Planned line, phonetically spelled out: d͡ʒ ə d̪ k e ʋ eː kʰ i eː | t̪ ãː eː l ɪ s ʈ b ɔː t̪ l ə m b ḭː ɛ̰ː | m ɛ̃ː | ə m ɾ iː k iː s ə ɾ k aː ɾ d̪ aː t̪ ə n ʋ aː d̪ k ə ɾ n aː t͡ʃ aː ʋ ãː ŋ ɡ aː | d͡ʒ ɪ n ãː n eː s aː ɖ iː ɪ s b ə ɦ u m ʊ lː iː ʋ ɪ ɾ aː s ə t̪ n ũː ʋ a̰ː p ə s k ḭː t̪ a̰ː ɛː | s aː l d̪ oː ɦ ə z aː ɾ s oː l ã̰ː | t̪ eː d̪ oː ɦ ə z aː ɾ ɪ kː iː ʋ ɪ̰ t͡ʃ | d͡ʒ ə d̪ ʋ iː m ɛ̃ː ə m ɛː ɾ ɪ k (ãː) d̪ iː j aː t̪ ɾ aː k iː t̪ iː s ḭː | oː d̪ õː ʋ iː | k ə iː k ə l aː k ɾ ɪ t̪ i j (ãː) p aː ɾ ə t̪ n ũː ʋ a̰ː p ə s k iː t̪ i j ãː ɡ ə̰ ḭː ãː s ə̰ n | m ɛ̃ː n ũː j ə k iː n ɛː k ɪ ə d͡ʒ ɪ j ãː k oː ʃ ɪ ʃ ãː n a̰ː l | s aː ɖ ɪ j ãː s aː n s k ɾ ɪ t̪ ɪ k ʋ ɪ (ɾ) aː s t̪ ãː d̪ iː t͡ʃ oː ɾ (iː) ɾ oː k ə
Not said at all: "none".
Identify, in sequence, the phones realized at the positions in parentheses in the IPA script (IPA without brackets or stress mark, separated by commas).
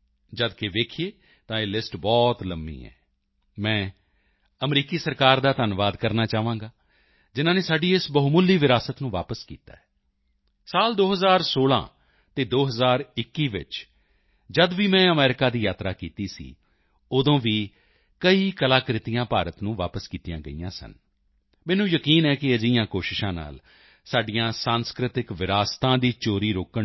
aː, ãː, ɾ, iː